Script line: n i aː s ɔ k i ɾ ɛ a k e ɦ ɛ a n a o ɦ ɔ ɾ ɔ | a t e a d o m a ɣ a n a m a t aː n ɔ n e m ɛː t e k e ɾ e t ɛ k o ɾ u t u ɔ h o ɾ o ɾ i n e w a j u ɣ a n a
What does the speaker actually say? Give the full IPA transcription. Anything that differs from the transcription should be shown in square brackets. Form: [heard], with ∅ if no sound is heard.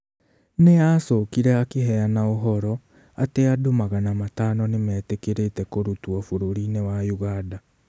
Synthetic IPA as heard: n [e] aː s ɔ k i ɾ ɛ a k e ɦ ɛ a n a o ɦ ɔ ɾ ɔ | a t e a d o m a ɣ a n a m a t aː n ɔ n e m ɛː t e k e ɾ e t ɛ k o ɾ u t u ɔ [f] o ɾ o ɾ i n e w a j u ɣ a [d] a